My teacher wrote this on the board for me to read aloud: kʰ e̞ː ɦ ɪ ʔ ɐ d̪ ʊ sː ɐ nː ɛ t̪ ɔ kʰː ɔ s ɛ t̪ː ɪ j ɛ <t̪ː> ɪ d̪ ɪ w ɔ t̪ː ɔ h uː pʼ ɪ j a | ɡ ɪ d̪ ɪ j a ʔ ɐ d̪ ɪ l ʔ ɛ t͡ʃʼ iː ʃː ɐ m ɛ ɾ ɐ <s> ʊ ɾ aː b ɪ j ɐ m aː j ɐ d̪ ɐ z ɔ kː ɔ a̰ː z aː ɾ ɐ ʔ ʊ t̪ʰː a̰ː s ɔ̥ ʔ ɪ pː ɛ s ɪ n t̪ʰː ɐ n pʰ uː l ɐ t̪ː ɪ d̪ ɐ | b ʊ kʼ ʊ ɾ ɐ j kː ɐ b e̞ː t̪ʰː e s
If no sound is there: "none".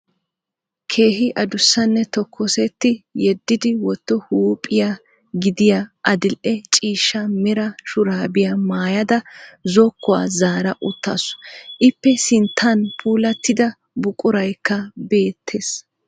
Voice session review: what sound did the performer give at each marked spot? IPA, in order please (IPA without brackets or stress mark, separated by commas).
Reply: d̪ː, ʃ